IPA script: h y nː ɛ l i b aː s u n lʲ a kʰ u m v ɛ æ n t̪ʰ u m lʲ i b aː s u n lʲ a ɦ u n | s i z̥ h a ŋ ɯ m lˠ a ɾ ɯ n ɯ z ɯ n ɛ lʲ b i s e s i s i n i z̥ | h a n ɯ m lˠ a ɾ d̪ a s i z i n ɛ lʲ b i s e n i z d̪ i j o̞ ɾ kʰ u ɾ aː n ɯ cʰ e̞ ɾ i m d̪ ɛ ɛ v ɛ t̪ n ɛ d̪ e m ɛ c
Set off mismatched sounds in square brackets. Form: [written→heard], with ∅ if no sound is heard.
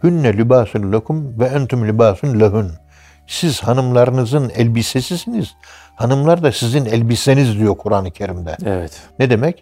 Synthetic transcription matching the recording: h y nː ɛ l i b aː s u n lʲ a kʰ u m v ɛ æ n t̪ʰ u m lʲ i b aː s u n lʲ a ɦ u n | s i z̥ h a [ŋ→n] ɯ m lˠ a ɾ ɯ n ɯ z ɯ n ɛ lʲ b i s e s i s i n i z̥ | h a n ɯ m lˠ a ɾ d̪ a s i z i n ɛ lʲ b i s e n i z d̪ i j o̞ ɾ kʰ u ɾ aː n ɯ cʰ e̞ ɾ i m d̪ ɛ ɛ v ɛ t̪ n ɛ d̪ e m ɛ c